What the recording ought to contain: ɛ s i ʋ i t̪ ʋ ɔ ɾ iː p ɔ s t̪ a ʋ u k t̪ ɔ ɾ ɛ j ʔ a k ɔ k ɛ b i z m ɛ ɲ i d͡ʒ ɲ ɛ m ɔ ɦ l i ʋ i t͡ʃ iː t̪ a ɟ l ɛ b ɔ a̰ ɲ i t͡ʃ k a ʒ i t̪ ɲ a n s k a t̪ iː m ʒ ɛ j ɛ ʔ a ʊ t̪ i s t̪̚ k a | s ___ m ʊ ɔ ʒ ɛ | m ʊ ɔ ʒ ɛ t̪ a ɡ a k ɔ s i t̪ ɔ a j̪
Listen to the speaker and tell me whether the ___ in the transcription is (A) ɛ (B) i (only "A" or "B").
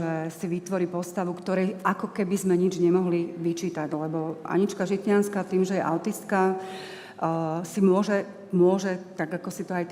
B